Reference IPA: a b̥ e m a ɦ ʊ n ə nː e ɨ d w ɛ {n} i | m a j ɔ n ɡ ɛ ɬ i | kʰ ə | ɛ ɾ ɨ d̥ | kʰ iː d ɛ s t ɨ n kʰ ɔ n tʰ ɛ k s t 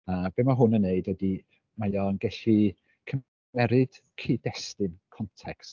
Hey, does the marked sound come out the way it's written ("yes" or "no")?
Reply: no